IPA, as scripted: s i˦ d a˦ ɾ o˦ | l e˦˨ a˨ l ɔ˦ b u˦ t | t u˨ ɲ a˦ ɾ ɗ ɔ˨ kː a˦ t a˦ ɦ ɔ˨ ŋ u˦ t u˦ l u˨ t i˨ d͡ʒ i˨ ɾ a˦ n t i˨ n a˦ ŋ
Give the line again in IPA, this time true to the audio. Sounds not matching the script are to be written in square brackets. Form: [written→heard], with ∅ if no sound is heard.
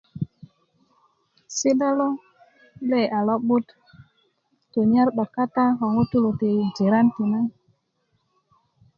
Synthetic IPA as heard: s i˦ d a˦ [ɾ→l] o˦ | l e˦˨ a˨ l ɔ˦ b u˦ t | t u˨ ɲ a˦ ɾ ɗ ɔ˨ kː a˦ t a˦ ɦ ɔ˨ ŋ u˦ t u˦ l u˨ t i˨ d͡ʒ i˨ ɾ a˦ n t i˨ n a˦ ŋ